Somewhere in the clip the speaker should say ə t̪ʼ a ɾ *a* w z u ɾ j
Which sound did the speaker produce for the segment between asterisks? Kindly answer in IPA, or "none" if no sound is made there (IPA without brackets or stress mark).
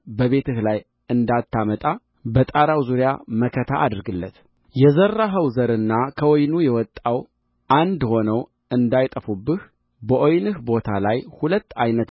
a